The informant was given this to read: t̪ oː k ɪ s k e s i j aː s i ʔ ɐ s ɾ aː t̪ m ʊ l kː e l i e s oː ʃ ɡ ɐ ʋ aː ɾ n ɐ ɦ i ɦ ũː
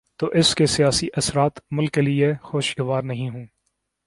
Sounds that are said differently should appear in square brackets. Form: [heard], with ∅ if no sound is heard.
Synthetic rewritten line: t̪ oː [ʔ] ɪ s k e s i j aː s i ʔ ɐ s ɾ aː t̪ m ʊ l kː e l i e [x] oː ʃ ɡ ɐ ʋ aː ɾ n ɐ ɦ [ĩ] ɦ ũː

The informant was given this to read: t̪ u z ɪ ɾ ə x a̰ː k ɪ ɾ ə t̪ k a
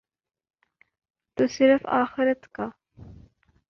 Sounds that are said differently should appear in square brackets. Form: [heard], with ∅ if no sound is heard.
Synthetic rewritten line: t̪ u [s] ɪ ɾ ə [f] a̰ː [x] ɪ ɾ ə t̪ k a

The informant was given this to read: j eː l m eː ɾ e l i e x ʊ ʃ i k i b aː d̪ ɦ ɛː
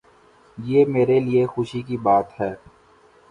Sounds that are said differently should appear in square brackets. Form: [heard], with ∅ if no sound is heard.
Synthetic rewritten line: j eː [∅] m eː ɾ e l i e x ʊ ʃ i k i b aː [t̪] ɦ ɛː

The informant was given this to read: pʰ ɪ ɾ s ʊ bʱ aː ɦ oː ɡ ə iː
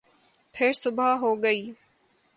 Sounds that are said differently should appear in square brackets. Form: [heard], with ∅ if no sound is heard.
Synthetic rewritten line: pʰ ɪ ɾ s ʊ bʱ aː ɦ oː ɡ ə iː

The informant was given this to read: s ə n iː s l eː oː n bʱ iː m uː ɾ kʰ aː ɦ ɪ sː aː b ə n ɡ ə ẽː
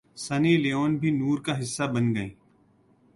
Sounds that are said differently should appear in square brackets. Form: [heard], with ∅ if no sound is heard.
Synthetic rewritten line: s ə n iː [∅] l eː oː n bʱ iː [n] uː ɾ [k] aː ɦ ɪ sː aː b ə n ɡ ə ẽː

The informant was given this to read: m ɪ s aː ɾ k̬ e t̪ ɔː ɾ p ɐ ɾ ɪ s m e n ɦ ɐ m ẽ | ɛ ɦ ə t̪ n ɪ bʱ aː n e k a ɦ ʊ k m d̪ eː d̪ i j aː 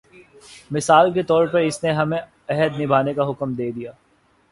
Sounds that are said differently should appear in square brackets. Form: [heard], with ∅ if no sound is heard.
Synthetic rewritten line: m ɪ s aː [l] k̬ e t̪ ɔː ɾ p ɐ ɾ ɪ s [n] e [∅] ɦ ɐ m ẽ | ɛ ɦ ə [d̪] n ɪ bʱ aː n e k a ɦ ʊ k m d̪ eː d̪ i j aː

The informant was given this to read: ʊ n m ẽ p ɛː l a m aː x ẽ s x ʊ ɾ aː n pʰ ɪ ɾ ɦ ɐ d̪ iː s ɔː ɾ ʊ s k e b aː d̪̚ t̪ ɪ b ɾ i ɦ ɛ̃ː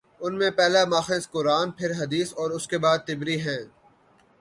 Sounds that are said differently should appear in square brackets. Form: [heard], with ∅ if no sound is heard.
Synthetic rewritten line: ʊ n m ẽ p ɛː l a m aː x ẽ s [k] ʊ ɾ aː n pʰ ɪ ɾ ɦ ɐ d̪ iː s ɔː ɾ ʊ s k e b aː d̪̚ t̪ ɪ b ɾ i ɦ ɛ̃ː

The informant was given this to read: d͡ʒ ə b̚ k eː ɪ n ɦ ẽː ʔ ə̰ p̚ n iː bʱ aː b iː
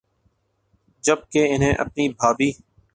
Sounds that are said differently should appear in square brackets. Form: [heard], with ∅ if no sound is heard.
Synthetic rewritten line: d͡ʒ ə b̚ k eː ɪ n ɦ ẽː ʔ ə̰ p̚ n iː bʱ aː b iː

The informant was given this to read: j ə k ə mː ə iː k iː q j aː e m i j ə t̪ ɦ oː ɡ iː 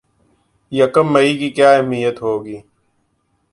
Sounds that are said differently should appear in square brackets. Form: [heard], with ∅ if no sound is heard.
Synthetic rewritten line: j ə k ə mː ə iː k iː [k] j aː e m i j ə t̪ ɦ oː ɡ iː

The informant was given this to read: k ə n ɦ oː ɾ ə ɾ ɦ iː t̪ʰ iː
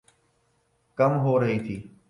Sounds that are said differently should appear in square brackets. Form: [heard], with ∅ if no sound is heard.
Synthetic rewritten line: k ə [m] ɦ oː ɾ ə [∅] ɦ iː t̪ʰ iː

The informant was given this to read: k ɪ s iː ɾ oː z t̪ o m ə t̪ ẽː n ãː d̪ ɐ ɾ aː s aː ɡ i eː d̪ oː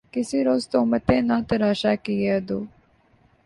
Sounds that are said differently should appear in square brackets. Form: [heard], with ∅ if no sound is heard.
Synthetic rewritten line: k ɪ s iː ɾ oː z t̪ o m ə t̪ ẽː n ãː [t̪] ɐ ɾ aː [ʃ] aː [k] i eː d̪ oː

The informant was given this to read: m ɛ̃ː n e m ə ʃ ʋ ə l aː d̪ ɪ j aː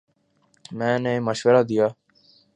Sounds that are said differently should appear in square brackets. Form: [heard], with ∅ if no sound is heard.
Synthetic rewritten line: m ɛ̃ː n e m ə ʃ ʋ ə [ɾ] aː d̪ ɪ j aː

